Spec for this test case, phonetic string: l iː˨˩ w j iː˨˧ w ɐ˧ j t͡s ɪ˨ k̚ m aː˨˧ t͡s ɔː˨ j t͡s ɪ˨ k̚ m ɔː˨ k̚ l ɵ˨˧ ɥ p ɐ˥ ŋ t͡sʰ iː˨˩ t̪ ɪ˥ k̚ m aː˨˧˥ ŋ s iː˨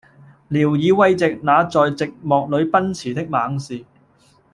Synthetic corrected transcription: l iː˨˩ w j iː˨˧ w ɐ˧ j t͡s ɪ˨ k̚ n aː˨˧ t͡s ɔː˨ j t͡s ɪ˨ k̚ m ɔː˨ k̚ l ɵ˨˧ ɥ p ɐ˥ n t͡sʰ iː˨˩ t̪ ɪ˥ k̚ m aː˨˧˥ ŋ s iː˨